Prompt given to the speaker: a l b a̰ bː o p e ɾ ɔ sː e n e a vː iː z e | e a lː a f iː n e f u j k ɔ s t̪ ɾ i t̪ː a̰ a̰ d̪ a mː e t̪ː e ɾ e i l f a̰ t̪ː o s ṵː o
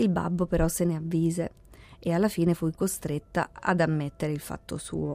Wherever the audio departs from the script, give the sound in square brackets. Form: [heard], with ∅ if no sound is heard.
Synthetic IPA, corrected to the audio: [i] l b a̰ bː o p e ɾ ɔ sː e n e a vː iː z e | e a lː a f iː n e f u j k [o] s t̪ ɾ [e] t̪ː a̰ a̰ d̪ a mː e t̪ː e ɾ e i l f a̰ t̪ː o s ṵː o